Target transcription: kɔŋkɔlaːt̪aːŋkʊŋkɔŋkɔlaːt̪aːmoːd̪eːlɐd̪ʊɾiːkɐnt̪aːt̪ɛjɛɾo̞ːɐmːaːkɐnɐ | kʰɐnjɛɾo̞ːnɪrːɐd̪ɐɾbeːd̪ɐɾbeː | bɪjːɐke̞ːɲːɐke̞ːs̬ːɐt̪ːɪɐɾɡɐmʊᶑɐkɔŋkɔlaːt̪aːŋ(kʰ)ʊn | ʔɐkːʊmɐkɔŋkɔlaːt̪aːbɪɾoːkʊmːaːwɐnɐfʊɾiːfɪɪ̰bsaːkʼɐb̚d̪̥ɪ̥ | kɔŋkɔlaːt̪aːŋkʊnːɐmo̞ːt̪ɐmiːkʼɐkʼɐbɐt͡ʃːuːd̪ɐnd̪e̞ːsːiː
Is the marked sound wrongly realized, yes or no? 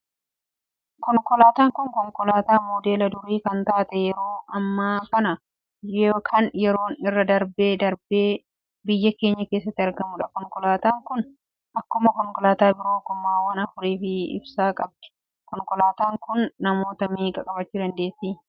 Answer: yes